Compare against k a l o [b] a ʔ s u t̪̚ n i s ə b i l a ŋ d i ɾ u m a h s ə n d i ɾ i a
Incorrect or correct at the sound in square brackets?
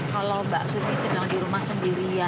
correct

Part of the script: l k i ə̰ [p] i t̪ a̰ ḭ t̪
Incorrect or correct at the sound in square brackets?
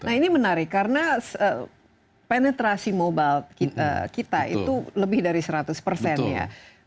incorrect: k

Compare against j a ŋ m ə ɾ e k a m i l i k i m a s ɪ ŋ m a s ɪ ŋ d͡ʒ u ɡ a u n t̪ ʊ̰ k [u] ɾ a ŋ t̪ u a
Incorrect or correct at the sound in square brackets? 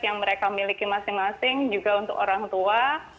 incorrect: o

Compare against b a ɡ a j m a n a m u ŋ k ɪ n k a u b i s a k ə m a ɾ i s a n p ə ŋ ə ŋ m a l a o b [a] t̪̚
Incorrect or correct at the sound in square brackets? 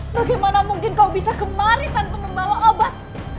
correct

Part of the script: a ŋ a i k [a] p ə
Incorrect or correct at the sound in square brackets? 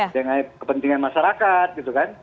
incorrect: ə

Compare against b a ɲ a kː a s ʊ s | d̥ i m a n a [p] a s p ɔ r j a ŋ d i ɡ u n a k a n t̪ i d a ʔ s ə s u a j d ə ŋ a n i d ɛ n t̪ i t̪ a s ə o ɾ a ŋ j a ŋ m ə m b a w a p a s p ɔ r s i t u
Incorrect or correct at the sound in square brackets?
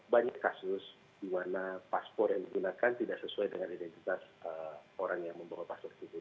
correct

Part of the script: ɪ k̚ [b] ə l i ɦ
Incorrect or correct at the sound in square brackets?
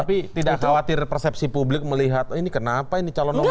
incorrect: m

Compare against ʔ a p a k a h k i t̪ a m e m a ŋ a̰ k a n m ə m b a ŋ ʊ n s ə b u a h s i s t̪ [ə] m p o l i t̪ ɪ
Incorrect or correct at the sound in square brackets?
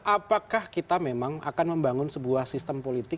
correct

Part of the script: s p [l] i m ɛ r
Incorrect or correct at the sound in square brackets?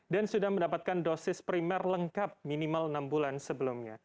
incorrect: ɾ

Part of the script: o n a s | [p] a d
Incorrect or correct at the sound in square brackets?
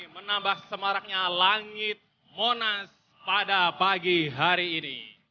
correct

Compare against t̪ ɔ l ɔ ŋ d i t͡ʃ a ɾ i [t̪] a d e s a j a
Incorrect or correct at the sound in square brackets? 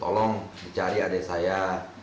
incorrect: none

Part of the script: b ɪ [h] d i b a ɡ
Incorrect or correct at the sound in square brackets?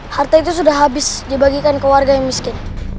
incorrect: s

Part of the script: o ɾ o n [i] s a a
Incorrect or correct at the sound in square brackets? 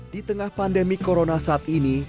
incorrect: a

